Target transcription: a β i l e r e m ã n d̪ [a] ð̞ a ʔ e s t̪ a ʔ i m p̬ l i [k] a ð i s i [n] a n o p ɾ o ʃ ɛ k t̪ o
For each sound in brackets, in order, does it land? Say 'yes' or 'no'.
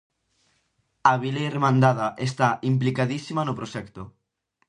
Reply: yes, yes, no

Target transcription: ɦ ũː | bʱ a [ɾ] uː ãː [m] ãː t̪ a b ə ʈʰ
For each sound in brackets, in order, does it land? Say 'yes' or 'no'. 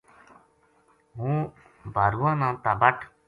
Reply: yes, no

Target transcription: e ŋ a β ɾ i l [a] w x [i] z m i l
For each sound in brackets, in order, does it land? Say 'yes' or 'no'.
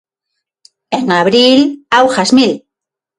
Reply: yes, no

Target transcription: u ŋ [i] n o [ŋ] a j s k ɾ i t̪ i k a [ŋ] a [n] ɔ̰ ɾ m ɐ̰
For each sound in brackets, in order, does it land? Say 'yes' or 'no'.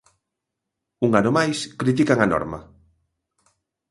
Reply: no, no, yes, yes

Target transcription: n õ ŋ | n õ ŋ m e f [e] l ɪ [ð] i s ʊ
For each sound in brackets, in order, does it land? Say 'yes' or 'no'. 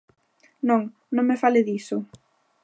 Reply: no, yes

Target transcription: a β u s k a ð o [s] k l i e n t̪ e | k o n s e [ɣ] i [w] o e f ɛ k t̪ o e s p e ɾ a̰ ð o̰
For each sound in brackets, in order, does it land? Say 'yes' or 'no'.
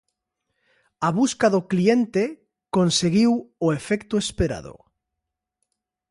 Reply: no, yes, yes

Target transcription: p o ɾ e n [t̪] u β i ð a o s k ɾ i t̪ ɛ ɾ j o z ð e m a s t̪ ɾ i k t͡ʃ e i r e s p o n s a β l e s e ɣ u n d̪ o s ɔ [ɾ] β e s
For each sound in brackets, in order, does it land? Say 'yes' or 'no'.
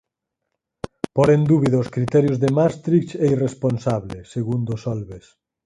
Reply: no, no

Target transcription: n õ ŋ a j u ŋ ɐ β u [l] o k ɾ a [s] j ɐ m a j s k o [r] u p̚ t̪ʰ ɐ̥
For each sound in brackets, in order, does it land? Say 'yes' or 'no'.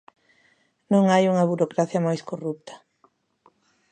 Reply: no, no, yes

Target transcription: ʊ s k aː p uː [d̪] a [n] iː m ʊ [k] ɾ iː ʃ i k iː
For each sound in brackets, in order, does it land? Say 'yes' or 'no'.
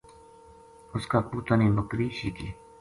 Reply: no, yes, yes

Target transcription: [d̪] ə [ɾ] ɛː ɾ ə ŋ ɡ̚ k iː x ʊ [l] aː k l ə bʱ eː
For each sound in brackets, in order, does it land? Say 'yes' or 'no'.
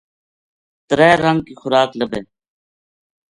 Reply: no, yes, no

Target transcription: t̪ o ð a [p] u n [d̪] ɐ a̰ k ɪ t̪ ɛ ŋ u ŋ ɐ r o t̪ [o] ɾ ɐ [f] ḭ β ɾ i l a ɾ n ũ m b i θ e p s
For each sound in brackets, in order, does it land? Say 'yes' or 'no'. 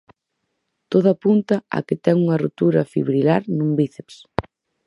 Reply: yes, no, no, yes

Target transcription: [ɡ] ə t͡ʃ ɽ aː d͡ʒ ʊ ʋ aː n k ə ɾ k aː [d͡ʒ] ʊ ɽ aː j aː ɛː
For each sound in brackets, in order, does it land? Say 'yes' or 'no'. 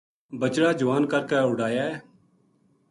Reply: no, no

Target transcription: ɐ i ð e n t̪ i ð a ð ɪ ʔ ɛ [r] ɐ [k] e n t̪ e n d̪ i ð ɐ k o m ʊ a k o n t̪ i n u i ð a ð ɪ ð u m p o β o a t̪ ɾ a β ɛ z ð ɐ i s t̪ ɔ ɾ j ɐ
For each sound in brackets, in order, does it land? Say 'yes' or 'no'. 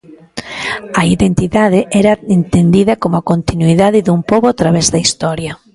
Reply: no, no

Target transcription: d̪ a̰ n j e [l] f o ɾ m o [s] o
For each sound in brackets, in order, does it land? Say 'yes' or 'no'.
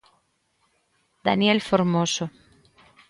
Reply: yes, yes

